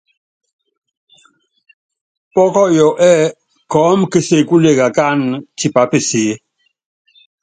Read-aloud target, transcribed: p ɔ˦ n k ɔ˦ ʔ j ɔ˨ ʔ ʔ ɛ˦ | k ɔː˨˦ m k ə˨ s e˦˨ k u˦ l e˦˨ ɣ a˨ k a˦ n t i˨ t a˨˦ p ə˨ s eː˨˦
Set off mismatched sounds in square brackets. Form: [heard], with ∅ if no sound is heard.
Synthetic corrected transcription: p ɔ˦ [∅] k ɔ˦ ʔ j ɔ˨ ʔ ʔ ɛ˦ | k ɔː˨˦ m k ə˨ s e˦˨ k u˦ l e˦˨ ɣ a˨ k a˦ n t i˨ [p] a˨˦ p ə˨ s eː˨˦

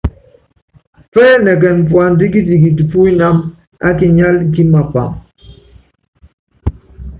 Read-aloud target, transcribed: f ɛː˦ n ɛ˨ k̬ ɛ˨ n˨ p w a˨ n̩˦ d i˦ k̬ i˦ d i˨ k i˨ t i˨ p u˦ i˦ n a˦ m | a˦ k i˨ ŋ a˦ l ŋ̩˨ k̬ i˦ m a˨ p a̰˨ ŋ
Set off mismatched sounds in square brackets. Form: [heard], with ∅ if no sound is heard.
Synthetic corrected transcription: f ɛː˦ n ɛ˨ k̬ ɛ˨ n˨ p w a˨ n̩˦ d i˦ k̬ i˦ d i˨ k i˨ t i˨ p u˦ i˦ n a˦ m | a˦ k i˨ [ɲ] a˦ l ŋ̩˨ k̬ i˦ m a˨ p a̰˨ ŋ

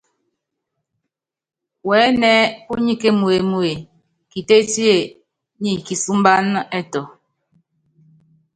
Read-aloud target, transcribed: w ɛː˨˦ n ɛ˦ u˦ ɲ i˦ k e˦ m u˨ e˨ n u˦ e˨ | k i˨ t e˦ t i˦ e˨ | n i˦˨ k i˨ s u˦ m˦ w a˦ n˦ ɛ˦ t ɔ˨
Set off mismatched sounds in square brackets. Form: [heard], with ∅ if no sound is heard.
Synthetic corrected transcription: w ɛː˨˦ n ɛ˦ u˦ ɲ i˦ k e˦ m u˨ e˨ [m] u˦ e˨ | k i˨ t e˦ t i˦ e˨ | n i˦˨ k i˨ s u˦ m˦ [b] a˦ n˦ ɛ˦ t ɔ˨

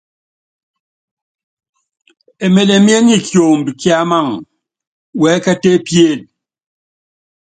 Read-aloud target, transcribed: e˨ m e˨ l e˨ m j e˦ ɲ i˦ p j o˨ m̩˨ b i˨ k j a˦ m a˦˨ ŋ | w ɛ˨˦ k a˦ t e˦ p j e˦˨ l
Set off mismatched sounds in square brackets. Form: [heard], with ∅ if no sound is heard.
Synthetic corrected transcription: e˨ m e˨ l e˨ m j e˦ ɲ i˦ [k] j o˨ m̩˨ b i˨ k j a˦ m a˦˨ ŋ | w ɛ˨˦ k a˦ t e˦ p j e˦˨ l

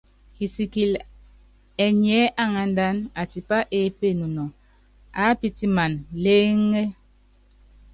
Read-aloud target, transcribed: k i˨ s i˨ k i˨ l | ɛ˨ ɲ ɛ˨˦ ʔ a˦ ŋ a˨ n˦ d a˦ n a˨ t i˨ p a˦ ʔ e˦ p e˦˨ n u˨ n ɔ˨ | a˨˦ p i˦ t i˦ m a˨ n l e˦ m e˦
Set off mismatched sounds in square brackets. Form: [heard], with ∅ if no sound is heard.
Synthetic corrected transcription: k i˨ s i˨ k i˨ l | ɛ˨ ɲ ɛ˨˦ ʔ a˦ ŋ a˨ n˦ d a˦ n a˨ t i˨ p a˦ ʔ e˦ p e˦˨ n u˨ n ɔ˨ | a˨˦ p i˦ t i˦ m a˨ n l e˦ [ŋ] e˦

